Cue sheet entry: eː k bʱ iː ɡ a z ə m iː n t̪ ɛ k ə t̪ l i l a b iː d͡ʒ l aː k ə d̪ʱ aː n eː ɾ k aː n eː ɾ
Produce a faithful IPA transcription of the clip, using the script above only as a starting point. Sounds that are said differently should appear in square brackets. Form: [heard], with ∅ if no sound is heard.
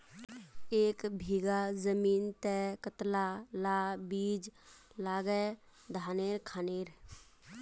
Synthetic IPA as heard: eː k bʱ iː ɡ a z ə m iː n t̪ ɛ k ə t̪ l [a] l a b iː d͡ʒ l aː [ɡ] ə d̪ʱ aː n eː ɾ [kʰ] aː n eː ɾ